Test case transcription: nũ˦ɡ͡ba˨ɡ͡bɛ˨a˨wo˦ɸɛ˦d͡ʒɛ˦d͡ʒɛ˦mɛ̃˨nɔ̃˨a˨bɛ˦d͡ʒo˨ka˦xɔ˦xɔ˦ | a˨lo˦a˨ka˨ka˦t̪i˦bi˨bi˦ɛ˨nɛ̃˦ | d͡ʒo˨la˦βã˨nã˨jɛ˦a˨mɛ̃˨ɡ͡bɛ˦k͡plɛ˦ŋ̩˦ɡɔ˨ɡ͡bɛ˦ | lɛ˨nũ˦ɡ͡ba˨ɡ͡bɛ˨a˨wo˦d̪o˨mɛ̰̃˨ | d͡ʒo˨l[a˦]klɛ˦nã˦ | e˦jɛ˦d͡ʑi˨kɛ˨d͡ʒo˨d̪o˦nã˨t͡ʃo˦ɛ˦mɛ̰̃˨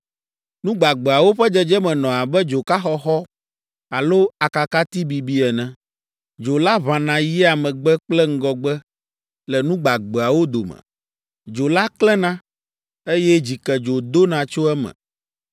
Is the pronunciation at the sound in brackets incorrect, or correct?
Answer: correct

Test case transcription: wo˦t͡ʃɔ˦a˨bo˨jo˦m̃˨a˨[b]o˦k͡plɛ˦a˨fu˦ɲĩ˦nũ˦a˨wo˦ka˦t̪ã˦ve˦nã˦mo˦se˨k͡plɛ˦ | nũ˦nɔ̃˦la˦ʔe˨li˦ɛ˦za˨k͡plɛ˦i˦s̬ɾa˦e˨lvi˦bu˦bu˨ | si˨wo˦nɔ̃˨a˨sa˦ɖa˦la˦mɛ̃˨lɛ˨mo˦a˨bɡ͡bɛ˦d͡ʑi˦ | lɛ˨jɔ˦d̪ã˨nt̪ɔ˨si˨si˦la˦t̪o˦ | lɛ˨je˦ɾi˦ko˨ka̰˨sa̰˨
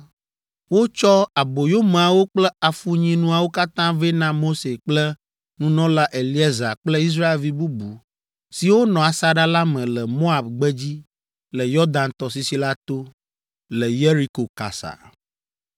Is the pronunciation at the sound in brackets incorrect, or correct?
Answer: incorrect: w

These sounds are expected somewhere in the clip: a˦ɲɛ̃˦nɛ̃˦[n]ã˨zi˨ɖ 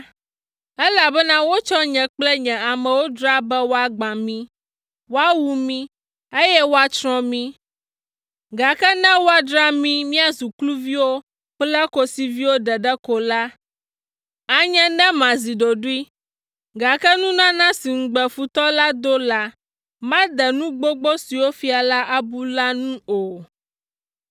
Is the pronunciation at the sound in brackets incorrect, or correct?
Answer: incorrect: m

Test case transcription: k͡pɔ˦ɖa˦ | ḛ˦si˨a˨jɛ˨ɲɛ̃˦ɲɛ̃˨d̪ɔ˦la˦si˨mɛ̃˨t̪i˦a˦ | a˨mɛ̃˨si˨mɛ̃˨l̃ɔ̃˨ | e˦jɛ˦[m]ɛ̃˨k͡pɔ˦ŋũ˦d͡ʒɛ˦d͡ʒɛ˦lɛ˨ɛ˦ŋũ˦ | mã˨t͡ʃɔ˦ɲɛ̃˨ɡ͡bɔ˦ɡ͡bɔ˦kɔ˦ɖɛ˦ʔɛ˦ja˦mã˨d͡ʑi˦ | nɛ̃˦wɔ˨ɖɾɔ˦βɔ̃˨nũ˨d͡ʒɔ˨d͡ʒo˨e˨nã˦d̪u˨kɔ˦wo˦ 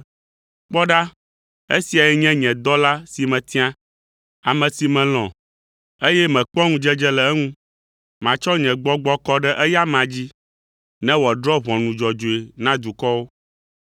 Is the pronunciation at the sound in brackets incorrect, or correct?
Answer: correct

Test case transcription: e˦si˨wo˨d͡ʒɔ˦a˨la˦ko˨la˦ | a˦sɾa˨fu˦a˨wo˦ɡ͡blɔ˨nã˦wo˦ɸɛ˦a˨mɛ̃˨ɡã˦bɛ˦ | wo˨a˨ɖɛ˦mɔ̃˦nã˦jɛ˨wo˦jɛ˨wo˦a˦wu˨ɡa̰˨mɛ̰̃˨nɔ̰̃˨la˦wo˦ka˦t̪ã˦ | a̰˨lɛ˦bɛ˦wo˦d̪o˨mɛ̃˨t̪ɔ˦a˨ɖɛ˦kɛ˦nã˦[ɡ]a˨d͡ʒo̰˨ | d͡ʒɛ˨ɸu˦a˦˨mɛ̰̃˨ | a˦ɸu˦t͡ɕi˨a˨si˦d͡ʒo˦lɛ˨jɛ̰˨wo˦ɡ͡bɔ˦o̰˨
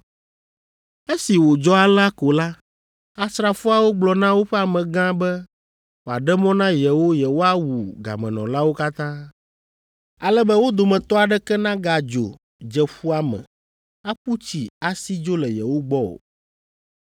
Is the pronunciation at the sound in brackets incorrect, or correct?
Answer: correct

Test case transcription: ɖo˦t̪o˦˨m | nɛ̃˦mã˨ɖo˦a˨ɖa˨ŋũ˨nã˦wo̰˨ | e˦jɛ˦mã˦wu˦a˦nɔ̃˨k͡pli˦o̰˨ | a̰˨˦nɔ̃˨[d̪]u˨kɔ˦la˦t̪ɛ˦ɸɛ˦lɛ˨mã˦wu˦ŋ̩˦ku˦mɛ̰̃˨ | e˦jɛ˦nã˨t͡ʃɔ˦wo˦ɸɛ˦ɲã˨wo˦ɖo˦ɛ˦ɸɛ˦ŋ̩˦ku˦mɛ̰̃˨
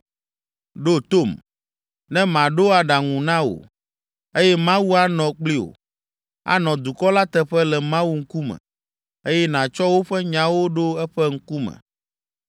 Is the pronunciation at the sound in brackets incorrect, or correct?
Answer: correct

